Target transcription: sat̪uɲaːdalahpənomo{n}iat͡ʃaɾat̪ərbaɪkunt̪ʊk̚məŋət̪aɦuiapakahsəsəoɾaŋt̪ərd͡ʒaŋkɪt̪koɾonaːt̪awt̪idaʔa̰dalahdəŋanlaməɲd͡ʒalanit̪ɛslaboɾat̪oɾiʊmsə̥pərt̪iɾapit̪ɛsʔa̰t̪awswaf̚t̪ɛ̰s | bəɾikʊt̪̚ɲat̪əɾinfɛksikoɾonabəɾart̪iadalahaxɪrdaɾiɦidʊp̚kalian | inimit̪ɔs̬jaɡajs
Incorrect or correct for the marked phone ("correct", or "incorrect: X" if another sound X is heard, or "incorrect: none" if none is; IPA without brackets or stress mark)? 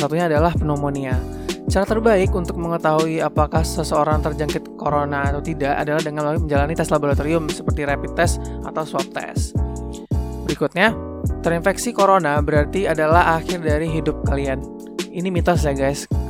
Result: correct